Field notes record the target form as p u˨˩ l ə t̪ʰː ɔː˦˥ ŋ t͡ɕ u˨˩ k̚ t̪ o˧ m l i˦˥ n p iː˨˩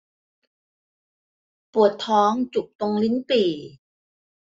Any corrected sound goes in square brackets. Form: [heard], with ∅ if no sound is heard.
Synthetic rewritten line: p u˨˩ [∅] ə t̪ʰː ɔː˦˥ ŋ t͡ɕ u˨˩ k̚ t̪ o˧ [ŋ] l i˦˥ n p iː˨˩

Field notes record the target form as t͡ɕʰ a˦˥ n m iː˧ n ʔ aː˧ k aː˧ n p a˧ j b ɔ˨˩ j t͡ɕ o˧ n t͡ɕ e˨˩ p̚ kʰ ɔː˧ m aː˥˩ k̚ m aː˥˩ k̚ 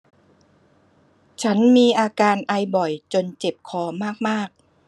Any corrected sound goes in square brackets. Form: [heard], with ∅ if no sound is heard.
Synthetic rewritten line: t͡ɕʰ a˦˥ n m iː˧ [∅] ʔ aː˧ k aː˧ n [ʔ] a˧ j b ɔ˨˩ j t͡ɕ o˧ n t͡ɕ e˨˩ p̚ kʰ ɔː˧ m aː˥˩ k̚ m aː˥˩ k̚

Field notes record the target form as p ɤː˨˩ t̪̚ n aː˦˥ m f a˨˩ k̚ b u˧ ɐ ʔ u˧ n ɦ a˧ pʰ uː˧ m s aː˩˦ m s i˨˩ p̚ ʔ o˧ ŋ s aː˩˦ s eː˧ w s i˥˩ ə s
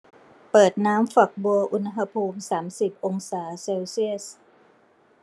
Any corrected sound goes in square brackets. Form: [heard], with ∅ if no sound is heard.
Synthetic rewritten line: p ɤː˨˩ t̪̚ n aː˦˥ m f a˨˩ k̚ b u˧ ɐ ʔ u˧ n ɦ a˧ pʰ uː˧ m s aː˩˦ m s i˨˩ p̚ ʔ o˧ ŋ s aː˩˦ s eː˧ w s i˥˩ ə s

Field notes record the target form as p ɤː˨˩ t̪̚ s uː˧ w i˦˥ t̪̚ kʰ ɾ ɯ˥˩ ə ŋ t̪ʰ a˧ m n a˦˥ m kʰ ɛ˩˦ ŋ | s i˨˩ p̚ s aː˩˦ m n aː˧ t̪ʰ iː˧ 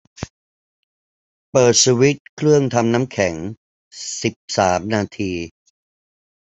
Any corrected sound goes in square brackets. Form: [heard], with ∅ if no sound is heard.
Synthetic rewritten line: p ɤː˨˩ t̪̚ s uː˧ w i˦˥ t̪̚ kʰ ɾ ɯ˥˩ ə ŋ t̪ʰ a˧ m n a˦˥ m kʰ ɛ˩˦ ŋ | s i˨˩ p̚ s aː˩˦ m n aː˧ t̪ʰ iː˧

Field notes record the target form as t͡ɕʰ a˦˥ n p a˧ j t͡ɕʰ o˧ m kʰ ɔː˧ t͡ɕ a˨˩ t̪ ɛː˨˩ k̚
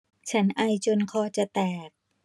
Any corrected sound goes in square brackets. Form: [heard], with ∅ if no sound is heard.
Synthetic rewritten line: t͡ɕʰ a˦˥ n [ʔ] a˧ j [t͡ɕ] o˧ [n] kʰ ɔː˧ t͡ɕ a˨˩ t̪ ɛː˨˩ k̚

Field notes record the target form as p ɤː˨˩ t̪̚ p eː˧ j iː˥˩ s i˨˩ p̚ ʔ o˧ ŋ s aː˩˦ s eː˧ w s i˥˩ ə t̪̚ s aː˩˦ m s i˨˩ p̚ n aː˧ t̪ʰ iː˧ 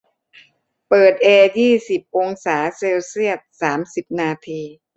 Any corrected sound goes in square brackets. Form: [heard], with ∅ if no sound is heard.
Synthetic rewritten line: p ɤː˨˩ t̪̚ [ʔ] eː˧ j iː˥˩ s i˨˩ p̚ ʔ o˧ ŋ s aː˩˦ s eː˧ w s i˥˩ ə t̪̚ s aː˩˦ m s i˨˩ p̚ n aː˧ t̪ʰ iː˧

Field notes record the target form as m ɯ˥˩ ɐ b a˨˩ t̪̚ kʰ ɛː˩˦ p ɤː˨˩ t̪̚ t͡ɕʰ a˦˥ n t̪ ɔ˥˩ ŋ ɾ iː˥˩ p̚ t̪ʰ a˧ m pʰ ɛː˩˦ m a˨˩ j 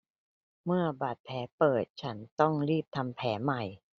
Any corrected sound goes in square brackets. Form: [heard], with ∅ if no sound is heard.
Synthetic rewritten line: m ɯ˥˩ ɐ b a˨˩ t̪̚ [pʰ] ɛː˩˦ p ɤː˨˩ t̪̚ t͡ɕʰ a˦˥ n t̪ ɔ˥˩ ŋ ɾ iː˥˩ p̚ t̪ʰ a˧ m pʰ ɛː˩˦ m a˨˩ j

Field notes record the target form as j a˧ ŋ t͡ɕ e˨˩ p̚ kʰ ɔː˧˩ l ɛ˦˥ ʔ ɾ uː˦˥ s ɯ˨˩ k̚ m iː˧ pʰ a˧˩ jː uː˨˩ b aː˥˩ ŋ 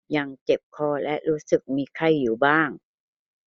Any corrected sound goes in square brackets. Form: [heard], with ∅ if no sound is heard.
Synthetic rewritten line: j a˧ ŋ t͡ɕ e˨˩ p̚ kʰ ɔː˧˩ l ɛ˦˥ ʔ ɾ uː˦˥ s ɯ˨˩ k̚ m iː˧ [kʰ] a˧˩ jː uː˨˩ b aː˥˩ ŋ

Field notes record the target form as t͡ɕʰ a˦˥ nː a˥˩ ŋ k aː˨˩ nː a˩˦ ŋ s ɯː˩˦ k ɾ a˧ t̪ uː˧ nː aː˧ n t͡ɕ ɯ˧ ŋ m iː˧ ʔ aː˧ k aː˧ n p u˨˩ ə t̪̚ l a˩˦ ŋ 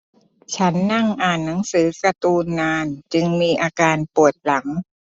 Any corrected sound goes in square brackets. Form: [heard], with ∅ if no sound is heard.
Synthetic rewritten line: t͡ɕʰ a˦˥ nː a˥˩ ŋ [ʔ] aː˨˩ nː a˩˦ ŋ s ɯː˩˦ k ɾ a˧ t̪ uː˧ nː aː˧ n t͡ɕ ɯ˧ ŋ m iː˧ ʔ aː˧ k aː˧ n p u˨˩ ə t̪̚ l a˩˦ ŋ

